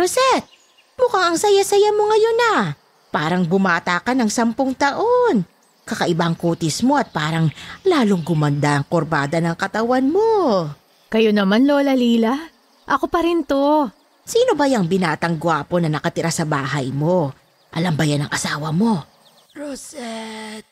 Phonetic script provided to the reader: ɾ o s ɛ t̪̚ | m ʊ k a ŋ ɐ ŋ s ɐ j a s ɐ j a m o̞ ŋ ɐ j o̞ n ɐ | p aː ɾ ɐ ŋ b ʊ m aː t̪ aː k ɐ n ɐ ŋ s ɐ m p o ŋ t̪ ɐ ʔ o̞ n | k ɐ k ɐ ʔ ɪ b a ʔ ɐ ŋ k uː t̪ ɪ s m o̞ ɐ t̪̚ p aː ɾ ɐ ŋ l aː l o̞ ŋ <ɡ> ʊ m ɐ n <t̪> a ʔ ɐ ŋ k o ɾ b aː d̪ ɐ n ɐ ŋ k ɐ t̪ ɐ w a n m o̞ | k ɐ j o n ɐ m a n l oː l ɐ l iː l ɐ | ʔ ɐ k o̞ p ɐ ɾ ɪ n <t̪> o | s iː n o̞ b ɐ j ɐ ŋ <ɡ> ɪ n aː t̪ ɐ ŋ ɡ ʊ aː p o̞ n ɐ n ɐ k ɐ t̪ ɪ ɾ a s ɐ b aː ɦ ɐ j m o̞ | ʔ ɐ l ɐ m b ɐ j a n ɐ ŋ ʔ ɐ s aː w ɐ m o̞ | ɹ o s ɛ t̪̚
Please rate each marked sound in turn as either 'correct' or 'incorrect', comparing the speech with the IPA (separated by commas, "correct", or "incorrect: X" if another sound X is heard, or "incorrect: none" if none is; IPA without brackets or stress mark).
correct, incorrect: d̪, correct, incorrect: b